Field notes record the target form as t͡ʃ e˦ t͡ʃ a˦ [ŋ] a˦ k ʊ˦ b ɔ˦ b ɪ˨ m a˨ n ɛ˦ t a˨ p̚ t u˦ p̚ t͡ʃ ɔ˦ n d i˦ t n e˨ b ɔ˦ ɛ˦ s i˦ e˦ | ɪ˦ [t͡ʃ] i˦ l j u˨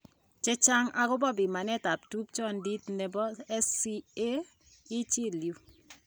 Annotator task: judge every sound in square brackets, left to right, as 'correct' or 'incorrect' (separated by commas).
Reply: correct, correct